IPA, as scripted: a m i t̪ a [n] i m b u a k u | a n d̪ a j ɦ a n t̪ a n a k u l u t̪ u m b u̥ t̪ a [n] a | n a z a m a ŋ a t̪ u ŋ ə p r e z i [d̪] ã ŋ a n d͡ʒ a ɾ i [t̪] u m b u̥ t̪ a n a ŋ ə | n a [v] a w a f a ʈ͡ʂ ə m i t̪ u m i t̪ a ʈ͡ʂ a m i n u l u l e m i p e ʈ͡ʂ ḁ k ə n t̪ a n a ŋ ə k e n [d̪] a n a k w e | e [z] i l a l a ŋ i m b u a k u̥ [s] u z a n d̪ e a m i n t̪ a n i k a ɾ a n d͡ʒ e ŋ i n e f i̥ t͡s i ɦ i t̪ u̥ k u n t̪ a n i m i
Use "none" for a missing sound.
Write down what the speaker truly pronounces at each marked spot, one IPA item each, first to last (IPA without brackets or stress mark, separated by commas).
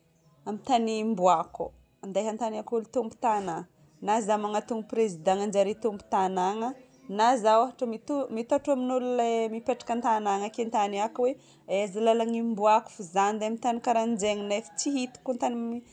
n, n, d̪, t̪, z, t̪, z, f